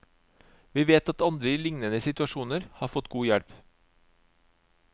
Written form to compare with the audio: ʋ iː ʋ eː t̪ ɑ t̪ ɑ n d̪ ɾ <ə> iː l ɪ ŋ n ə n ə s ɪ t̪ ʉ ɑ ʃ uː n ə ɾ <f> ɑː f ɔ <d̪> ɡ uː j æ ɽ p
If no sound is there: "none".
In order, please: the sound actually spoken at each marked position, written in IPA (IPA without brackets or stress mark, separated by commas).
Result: ə, h, t̪